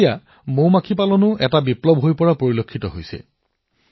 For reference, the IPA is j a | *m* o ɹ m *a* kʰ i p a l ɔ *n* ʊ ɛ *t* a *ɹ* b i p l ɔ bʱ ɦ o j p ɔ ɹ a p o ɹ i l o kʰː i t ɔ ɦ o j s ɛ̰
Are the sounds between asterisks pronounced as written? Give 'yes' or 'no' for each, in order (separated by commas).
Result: yes, yes, yes, yes, no